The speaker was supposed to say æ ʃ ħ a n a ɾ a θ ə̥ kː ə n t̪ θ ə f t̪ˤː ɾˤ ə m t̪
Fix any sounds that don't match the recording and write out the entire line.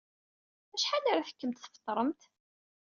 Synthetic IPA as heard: æ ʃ ħ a n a ɾ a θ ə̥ kː ə m t̪ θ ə f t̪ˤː ɾˤ ə m t̪